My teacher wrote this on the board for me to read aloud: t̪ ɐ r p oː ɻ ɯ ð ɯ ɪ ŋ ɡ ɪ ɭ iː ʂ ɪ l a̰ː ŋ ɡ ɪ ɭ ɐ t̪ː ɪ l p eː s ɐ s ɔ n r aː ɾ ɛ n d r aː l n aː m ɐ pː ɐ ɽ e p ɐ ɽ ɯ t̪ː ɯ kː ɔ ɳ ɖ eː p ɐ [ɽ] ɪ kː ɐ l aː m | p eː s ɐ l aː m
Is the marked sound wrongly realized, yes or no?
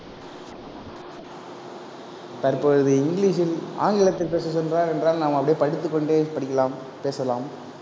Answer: no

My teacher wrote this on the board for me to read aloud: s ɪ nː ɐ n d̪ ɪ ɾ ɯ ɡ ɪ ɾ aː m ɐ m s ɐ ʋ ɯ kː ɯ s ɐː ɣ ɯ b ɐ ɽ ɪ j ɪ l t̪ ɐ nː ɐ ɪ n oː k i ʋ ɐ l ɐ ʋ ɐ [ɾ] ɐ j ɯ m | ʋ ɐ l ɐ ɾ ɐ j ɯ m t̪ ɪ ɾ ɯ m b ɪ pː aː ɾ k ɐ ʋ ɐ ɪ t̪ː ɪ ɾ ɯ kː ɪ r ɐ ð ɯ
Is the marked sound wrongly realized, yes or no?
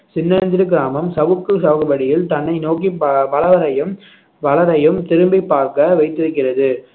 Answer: no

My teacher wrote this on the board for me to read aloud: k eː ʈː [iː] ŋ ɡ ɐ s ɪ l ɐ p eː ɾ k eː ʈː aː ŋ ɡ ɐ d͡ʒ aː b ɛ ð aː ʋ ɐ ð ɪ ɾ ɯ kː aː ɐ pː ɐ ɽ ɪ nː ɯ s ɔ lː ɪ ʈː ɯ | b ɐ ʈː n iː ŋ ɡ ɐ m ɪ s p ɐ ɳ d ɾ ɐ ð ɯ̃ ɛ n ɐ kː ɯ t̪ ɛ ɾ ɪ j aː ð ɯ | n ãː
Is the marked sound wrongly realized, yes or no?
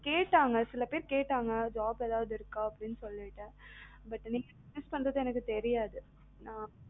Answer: yes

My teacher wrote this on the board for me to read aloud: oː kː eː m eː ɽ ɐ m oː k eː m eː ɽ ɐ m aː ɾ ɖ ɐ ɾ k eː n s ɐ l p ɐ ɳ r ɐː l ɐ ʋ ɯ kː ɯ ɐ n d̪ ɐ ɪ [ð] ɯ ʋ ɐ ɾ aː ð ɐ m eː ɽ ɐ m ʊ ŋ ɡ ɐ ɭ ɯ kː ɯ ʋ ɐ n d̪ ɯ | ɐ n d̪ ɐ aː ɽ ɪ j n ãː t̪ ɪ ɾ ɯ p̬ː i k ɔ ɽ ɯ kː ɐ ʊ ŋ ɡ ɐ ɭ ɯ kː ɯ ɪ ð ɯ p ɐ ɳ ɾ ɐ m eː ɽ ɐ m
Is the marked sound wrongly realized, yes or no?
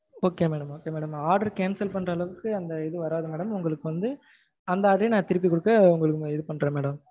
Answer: no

